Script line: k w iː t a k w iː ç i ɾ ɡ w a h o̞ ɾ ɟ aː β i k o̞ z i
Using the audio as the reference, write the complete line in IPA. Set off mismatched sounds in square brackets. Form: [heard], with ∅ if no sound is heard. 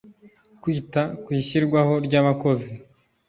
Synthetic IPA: k w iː t a k w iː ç i ɾ ɡ w a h o̞ ɾ ɟ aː β [a] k o̞ z i